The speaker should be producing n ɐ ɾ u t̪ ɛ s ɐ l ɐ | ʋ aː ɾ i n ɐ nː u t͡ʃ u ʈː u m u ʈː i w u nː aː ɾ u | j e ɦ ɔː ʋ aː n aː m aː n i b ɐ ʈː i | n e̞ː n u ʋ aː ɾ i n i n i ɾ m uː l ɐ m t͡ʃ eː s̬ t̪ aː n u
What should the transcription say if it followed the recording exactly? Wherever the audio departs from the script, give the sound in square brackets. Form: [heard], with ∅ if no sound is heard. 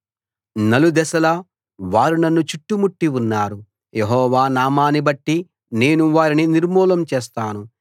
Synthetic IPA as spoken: n ɐ [l] u [d̪] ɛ s ɐ l ɐ | ʋ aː ɾ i n ɐ nː u t͡ʃ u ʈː u m u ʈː i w u nː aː ɾ u | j e ɦ ɔː ʋ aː n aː m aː n i b ɐ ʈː i | n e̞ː n u ʋ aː ɾ i n i n i ɾ m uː l ɐ m t͡ʃ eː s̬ t̪ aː n u